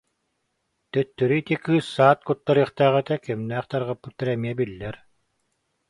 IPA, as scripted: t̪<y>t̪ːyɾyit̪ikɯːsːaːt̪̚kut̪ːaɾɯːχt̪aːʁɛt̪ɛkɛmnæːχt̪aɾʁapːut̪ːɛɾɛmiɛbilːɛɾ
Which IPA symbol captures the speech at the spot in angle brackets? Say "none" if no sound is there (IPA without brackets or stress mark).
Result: œ